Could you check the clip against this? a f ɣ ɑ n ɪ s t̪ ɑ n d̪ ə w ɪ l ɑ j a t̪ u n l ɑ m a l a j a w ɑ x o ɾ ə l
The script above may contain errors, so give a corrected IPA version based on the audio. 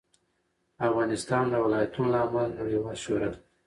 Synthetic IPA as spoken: a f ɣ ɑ n ɪ s t̪ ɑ n d̪ ə w ɪ l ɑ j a t̪ u n l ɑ m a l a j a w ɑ ʃ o ɾ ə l